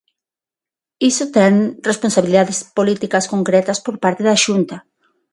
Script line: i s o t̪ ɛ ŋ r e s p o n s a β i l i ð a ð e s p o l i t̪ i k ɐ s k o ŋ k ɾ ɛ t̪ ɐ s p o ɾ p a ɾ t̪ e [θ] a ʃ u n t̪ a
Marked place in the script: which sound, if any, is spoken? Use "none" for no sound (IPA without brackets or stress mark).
ð